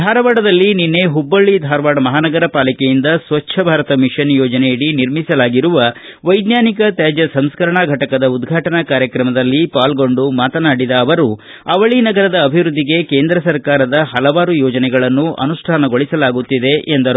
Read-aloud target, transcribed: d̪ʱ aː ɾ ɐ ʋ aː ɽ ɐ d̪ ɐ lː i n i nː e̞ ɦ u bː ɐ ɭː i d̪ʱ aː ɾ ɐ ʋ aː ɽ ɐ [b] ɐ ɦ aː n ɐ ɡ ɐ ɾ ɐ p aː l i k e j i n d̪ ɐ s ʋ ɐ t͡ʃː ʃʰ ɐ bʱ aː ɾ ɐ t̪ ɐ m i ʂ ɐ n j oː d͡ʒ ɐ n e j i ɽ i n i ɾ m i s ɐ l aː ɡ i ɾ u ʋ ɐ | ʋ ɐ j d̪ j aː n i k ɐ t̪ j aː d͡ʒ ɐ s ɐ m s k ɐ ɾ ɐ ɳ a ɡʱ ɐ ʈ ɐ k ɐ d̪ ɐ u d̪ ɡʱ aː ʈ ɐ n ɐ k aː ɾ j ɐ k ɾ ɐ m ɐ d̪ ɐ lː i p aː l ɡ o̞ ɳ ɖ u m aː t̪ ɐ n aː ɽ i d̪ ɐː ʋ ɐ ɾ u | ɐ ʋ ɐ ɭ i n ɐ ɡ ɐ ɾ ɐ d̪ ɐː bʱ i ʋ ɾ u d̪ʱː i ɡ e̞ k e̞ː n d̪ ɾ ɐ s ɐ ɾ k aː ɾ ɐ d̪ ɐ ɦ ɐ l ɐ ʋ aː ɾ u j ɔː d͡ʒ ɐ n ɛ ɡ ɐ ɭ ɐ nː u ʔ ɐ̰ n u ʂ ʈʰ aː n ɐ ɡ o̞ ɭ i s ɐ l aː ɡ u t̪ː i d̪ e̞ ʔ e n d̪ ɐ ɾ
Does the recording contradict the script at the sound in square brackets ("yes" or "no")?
yes